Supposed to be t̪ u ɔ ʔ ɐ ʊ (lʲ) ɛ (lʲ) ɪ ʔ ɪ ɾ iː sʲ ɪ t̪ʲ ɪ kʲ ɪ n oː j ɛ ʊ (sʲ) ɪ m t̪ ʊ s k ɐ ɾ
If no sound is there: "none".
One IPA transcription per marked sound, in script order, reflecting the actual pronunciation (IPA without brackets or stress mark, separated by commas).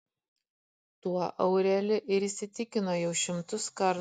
ɾʲ, lʲ, ʃʲ